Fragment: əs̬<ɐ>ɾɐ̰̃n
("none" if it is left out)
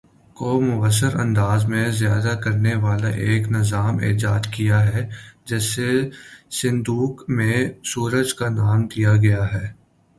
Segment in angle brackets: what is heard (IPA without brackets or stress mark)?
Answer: ə